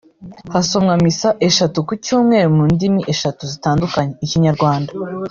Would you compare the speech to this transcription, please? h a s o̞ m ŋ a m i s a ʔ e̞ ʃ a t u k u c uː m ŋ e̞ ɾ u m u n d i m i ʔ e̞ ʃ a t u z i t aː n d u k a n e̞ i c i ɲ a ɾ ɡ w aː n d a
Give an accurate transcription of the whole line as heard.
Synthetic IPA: h a s o̞ m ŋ a m i s a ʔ e̞ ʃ a t u k u c uː m ŋ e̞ ɾ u m u n d i m i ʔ e̞ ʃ a t u z i t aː n d u k a ɲ e̞ i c i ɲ a ɾ ɡ w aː n d a